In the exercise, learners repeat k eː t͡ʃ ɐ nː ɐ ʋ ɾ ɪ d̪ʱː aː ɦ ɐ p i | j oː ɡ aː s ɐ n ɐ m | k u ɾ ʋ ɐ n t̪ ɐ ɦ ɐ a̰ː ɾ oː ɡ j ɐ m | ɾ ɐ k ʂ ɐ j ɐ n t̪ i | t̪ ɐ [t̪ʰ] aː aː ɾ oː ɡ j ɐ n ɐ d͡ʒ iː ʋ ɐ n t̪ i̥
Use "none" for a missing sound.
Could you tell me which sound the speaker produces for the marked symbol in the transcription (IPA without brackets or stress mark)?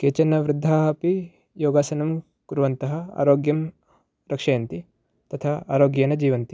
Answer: t̪ʰ